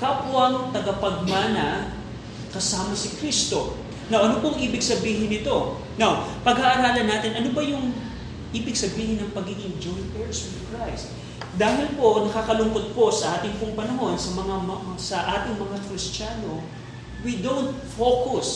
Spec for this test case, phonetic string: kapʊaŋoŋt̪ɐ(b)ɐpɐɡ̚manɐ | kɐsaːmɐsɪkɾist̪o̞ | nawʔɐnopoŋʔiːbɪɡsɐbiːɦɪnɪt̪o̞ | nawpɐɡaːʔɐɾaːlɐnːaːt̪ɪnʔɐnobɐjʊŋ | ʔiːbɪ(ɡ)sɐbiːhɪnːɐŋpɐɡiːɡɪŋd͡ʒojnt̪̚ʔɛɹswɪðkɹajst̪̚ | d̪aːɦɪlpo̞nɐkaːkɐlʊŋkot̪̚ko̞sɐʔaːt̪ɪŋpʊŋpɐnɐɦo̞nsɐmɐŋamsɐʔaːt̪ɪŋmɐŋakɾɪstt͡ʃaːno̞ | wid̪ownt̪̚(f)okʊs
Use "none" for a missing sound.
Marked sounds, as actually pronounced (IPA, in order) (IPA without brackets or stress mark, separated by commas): ɡ, ɡ, f